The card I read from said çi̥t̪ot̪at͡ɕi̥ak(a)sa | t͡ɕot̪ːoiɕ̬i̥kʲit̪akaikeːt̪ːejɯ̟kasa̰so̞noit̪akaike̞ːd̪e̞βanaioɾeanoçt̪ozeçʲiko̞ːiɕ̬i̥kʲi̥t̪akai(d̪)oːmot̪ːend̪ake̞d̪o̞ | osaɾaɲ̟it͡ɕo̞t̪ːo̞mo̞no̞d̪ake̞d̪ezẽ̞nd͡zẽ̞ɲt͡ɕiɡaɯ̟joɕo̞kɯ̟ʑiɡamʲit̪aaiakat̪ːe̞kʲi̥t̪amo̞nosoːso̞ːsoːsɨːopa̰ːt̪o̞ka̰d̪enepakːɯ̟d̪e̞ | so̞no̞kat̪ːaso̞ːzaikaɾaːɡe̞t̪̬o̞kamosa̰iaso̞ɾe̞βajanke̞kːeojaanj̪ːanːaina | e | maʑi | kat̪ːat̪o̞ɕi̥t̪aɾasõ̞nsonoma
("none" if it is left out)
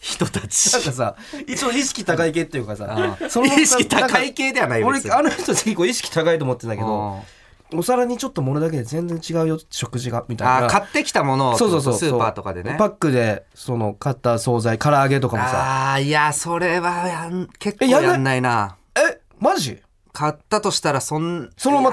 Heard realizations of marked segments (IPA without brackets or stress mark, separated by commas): a, t̪